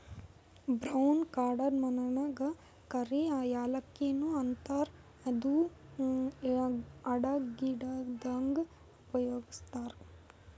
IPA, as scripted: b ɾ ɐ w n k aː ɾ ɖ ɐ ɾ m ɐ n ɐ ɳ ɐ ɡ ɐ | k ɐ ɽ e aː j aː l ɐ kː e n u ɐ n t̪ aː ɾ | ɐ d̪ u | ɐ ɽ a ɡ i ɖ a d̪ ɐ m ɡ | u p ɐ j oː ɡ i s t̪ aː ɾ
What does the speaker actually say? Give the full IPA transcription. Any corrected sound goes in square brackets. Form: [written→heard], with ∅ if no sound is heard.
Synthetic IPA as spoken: b ɾ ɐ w n k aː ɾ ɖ ɐ ɾ m ɐ n ɐ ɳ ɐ ɡ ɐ | k ɐ [ɽ→ɾ] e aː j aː l ɐ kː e n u ɐ n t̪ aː ɾ | ɐ d̪ u | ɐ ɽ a ɡ i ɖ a d̪ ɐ [m→ŋ] ɡ | u p ɐ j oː ɡ i s t̪ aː ɾ